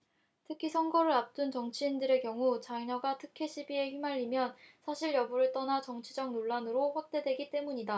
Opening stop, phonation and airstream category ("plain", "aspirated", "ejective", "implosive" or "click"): aspirated